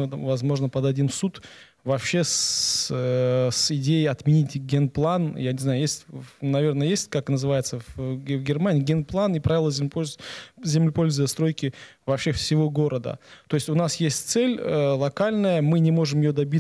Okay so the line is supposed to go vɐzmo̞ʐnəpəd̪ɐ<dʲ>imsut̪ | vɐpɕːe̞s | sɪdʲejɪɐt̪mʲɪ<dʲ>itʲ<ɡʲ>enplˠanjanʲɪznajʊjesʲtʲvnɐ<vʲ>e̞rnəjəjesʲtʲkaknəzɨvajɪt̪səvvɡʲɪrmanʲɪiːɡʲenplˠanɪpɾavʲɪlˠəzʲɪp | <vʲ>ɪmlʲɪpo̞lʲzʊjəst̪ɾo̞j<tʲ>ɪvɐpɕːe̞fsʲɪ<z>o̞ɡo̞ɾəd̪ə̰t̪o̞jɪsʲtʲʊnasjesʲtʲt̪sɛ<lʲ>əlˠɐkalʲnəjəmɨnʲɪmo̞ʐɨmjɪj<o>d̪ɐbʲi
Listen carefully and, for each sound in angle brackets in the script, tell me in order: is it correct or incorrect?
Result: correct, incorrect, correct, correct, incorrect, incorrect, incorrect, correct, correct

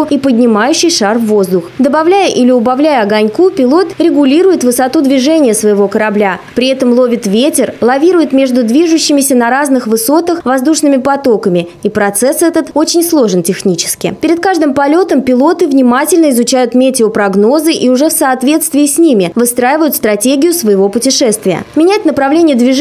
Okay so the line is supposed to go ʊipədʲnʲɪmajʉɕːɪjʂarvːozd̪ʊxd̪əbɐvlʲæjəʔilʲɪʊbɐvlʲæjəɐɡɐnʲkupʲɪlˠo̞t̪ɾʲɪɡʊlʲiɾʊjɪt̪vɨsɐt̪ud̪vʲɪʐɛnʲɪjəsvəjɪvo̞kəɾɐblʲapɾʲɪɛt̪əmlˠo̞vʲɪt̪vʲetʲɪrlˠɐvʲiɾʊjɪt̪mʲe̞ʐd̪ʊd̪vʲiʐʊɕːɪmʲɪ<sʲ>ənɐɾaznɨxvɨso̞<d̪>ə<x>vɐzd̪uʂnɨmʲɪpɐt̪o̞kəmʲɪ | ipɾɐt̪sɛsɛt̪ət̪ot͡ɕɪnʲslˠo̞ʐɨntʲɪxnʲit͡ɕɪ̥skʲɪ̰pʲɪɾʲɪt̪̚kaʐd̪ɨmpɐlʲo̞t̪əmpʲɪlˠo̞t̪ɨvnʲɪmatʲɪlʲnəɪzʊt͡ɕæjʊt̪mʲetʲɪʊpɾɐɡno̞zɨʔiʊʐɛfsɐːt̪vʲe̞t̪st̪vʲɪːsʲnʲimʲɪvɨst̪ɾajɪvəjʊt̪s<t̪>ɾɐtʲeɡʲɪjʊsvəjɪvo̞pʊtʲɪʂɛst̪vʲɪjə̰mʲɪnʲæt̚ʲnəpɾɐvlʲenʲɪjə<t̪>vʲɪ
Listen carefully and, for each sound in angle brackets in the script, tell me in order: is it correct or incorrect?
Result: correct, incorrect, correct, correct, incorrect

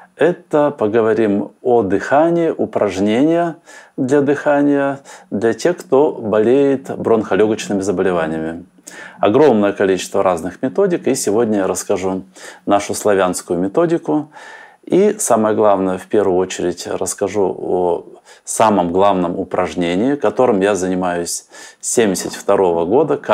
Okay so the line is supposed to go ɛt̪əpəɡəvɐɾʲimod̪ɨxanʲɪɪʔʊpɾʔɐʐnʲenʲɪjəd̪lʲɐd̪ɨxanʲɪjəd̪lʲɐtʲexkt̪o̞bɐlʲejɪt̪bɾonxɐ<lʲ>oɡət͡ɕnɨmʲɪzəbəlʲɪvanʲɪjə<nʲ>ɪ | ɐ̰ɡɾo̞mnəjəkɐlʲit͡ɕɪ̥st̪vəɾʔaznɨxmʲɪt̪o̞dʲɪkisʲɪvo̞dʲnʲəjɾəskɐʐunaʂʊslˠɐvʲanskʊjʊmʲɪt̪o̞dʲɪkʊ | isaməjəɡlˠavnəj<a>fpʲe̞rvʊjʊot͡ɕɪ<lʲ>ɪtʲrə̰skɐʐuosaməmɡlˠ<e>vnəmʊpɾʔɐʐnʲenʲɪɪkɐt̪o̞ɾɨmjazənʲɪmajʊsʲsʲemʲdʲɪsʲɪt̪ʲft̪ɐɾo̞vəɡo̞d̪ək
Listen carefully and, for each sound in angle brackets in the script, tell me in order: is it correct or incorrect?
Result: correct, incorrect, incorrect, incorrect, incorrect

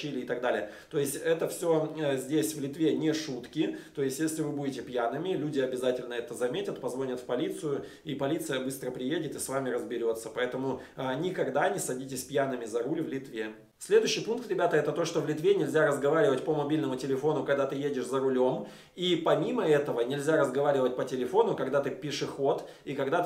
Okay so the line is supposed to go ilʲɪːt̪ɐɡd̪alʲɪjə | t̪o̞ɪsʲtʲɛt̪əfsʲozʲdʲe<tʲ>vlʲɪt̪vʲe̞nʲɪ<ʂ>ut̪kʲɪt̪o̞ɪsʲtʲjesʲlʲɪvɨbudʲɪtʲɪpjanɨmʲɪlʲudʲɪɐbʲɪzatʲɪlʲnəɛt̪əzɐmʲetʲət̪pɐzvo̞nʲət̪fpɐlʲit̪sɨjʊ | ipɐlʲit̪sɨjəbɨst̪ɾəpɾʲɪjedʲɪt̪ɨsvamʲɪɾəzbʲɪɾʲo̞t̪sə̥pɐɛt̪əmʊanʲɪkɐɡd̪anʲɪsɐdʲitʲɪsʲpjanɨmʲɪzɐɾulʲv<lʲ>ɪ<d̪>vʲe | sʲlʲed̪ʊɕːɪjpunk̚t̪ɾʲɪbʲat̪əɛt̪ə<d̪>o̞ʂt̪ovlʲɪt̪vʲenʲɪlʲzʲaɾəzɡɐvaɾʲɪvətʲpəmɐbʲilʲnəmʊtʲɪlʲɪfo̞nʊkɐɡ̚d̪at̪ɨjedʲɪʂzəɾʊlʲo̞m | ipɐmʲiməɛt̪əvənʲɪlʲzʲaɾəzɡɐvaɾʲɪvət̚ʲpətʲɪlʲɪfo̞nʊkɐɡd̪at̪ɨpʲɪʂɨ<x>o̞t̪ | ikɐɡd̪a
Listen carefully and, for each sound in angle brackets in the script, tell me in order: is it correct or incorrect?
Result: incorrect, correct, correct, incorrect, incorrect, correct

